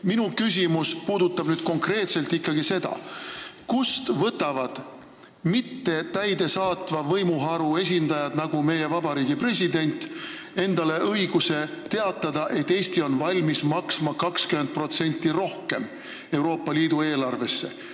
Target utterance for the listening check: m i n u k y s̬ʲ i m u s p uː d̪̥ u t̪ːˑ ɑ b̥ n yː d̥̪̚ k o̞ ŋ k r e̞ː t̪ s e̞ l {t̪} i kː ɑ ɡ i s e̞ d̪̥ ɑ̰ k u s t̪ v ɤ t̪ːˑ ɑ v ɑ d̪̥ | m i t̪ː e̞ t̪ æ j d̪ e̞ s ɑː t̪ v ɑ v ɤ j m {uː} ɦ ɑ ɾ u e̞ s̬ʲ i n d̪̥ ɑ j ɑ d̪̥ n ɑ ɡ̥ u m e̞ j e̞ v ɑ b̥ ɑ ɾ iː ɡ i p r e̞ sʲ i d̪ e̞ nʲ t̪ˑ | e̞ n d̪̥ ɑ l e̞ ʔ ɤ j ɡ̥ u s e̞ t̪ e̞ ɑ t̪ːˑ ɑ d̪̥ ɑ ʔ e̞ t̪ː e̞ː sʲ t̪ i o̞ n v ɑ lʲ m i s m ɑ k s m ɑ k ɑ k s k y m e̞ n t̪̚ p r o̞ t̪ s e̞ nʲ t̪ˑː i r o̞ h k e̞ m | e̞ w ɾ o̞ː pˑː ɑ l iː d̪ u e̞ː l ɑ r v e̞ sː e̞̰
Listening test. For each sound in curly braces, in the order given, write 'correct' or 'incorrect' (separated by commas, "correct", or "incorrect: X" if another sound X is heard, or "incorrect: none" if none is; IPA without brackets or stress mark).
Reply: correct, incorrect: u